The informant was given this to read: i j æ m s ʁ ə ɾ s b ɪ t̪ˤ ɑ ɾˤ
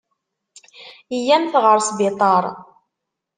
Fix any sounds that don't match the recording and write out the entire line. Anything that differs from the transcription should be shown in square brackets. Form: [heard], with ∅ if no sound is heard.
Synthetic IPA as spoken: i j æ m [θ] ʁ ə ɾ s b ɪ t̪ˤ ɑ ɾˤ